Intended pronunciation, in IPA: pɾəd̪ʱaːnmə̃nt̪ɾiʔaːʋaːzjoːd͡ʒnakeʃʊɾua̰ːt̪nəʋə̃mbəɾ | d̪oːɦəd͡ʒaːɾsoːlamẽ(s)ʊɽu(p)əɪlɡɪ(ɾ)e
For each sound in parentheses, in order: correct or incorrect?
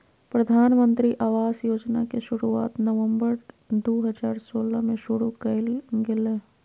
incorrect: ʃ, incorrect: k, incorrect: l

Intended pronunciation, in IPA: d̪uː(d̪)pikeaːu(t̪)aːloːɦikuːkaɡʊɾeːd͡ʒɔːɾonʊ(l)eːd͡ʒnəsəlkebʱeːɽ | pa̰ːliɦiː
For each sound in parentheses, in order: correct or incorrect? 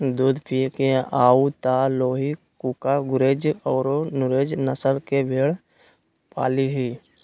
correct, correct, incorrect: ɾ

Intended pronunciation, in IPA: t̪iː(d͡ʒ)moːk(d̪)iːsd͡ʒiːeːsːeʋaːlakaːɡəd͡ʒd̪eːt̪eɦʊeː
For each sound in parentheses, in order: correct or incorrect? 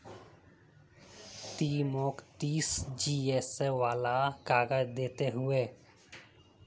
incorrect: none, incorrect: t̪

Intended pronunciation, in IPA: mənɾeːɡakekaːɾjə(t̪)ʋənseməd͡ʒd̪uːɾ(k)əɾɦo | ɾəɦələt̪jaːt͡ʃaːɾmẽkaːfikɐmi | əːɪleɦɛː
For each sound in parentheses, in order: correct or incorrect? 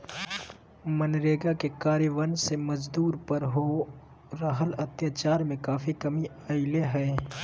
incorrect: none, incorrect: p

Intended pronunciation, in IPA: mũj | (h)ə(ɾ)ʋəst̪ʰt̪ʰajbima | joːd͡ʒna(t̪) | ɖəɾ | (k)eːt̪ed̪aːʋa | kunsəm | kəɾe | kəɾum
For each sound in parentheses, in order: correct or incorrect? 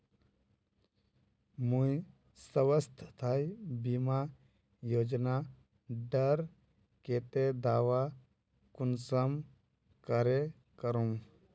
incorrect: s, incorrect: none, incorrect: none, correct

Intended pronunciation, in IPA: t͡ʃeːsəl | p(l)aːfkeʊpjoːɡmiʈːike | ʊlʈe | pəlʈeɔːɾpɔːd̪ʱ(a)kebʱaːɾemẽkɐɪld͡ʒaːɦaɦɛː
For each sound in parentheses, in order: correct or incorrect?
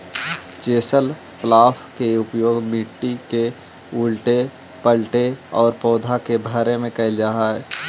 correct, correct

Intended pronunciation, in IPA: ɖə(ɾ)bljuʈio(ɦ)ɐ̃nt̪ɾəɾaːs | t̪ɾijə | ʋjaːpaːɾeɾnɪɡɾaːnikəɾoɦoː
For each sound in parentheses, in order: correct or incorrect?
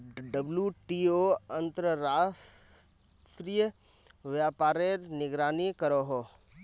incorrect: none, incorrect: none

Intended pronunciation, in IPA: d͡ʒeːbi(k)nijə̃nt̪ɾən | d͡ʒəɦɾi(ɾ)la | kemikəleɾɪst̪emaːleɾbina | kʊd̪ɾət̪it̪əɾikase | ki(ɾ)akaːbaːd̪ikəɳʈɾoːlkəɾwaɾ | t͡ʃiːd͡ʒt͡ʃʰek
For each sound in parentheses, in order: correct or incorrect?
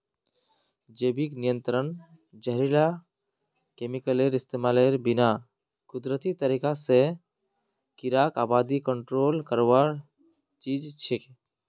correct, incorrect: none, correct

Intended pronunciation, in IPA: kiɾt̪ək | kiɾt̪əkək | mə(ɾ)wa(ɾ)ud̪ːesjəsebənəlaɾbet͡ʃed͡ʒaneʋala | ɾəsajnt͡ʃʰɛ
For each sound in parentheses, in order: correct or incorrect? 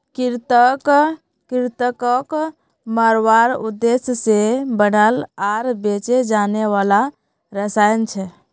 correct, correct

